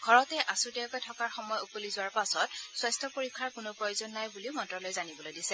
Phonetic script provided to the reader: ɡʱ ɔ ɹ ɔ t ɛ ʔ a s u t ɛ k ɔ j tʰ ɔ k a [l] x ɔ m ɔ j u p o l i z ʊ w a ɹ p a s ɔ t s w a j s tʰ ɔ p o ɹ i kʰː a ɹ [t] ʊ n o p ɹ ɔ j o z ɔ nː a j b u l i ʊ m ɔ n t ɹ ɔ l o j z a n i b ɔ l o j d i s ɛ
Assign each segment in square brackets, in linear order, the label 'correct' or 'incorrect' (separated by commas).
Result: incorrect, incorrect